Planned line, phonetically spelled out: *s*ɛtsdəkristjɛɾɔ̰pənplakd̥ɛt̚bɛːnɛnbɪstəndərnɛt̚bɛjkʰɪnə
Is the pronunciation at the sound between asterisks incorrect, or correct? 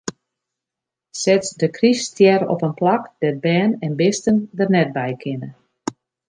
correct